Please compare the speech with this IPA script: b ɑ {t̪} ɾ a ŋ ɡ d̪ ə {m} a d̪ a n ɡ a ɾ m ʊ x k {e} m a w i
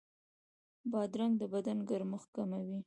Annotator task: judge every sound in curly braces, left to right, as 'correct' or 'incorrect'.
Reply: incorrect, incorrect, incorrect

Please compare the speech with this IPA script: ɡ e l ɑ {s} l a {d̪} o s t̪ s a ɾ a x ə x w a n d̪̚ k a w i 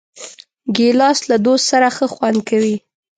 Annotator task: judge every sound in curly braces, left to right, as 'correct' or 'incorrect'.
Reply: correct, correct

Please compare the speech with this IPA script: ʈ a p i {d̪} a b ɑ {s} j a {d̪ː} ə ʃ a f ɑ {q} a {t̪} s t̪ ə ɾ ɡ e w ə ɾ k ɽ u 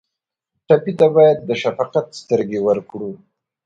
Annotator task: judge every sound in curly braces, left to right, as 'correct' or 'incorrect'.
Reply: incorrect, incorrect, correct, correct, correct

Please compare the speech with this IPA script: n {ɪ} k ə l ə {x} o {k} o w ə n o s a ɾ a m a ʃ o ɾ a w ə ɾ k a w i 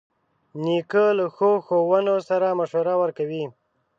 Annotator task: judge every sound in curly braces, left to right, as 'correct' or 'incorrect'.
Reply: incorrect, correct, incorrect

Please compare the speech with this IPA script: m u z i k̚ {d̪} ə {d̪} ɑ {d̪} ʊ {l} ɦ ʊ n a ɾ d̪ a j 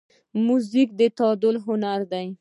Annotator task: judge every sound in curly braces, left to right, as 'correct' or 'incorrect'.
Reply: correct, incorrect, correct, correct

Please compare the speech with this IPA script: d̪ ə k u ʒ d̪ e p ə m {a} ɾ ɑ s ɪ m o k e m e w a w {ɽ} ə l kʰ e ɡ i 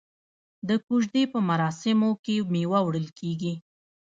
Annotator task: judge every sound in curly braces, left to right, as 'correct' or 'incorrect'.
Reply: correct, correct

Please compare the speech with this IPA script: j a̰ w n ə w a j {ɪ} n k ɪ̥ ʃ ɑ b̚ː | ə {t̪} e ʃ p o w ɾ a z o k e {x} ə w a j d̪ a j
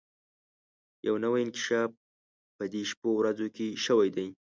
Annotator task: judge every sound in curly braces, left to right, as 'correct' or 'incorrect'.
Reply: correct, incorrect, incorrect

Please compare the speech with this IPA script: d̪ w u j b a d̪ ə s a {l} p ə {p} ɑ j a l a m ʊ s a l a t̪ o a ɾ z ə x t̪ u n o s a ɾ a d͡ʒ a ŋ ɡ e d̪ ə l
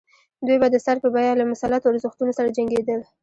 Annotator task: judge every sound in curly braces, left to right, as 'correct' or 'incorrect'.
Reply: incorrect, incorrect

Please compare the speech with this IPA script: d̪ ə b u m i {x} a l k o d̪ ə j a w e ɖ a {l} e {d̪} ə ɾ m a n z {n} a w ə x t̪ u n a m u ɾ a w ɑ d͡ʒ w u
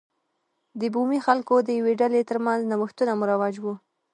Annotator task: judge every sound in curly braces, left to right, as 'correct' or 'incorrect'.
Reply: correct, correct, incorrect, correct

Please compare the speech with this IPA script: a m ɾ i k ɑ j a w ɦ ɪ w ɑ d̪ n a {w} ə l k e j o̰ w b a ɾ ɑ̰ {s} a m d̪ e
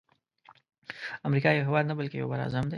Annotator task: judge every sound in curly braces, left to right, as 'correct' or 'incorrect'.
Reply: incorrect, incorrect

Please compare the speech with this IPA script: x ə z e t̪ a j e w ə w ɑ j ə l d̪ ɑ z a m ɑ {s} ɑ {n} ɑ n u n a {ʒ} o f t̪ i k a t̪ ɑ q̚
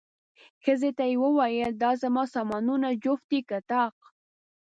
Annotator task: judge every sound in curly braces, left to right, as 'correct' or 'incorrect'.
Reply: correct, incorrect, incorrect

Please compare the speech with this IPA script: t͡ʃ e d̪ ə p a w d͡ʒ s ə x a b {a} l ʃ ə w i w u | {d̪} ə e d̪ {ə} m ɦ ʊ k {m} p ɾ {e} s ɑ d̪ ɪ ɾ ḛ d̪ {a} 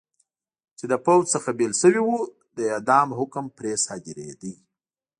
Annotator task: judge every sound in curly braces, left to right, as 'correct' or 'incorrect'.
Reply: incorrect, correct, incorrect, correct, correct, incorrect

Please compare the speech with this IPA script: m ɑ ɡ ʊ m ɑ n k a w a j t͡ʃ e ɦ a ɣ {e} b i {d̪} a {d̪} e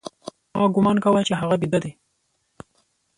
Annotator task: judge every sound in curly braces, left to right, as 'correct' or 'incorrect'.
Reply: incorrect, correct, correct

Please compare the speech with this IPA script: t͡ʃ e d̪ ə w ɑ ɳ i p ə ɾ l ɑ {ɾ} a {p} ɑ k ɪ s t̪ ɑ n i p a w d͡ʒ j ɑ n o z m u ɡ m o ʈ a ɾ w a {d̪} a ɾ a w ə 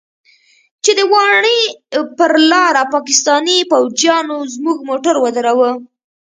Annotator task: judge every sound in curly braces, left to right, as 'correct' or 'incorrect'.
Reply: correct, correct, correct

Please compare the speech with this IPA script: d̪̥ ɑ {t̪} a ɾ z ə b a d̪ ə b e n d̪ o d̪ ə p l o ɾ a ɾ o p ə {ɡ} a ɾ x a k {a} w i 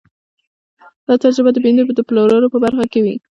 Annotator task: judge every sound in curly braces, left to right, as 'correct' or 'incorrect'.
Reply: correct, incorrect, incorrect

